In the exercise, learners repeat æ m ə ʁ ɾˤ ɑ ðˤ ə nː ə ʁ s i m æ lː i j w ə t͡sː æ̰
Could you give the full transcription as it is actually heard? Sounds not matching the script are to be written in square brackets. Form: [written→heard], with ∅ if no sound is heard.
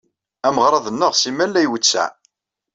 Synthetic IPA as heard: æ m ə ʁ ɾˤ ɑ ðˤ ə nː ə ʁ s i m æ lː [i→æ] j w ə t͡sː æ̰

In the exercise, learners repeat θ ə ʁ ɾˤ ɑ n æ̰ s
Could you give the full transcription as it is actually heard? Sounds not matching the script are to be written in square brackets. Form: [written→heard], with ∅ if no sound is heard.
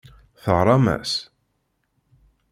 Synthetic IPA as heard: θ ə ʁ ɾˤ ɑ [n→m] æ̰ s

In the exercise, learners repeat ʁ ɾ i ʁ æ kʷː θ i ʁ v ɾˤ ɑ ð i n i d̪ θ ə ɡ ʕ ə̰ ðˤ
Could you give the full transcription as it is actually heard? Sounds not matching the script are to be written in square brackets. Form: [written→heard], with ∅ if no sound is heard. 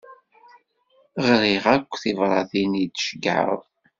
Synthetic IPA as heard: ʁ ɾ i ʁ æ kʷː θ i [ʁ→∅] v ɾˤ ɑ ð i n i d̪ [θ→ʃ] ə ɡ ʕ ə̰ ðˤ

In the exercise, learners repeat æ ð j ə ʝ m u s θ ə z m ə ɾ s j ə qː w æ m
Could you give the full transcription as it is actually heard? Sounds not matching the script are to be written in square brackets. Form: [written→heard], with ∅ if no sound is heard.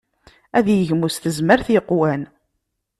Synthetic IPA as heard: æ ð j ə ʝ m u s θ ə z m ə ɾ [s→θ] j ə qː w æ [m→n]

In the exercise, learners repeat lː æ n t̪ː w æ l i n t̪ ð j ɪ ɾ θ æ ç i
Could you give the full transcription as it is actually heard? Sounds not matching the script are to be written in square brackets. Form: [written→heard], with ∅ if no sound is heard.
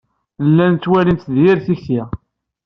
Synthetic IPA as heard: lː æ n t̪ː w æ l i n t̪ ð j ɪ ɾ θ [æ→i] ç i

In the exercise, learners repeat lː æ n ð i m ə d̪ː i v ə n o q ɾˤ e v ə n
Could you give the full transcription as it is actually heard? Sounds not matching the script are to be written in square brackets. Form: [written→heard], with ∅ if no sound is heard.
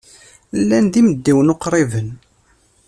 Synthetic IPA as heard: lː æ n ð i m ə d̪ː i [v→w] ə n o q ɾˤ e v ə n

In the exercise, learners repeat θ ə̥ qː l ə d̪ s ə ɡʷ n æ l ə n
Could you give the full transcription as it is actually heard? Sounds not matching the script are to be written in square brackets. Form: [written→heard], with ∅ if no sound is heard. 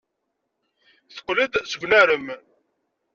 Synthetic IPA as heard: θ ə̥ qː l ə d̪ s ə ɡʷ n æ [l→ɾ] ə [n→m]

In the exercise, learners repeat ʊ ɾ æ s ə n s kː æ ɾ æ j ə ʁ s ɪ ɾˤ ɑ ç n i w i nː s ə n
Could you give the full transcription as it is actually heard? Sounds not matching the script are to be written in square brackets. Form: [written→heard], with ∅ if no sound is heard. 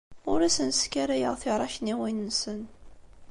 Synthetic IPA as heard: ʊ ɾ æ s ə n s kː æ ɾ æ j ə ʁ [s→θ] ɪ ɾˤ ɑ ç n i w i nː s ə n

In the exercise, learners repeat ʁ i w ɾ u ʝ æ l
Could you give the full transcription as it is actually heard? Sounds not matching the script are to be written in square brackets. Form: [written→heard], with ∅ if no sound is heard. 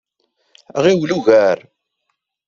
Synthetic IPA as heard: ʁ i w [ɾ→l] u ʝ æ [l→ɾ]

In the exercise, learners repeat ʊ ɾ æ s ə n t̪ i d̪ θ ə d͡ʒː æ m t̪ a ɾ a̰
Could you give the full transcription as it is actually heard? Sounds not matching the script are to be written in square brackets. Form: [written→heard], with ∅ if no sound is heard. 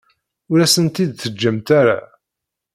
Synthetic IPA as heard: ʊ ɾ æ s ə n t̪ i d̪ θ ə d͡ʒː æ m t̪ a ɾ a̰

